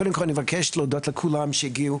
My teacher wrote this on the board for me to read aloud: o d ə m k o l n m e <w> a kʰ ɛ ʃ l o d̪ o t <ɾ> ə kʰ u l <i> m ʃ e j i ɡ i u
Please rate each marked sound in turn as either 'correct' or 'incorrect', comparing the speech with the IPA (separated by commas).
incorrect, incorrect, incorrect